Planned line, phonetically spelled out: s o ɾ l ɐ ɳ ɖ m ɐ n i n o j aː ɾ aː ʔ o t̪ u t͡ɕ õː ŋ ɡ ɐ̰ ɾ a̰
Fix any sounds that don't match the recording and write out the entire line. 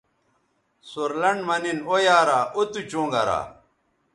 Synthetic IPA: s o ɾ l ɐ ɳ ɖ m ɐ n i n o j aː ɾ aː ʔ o t̪ u t͡ɕ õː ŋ ɡ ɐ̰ ɾ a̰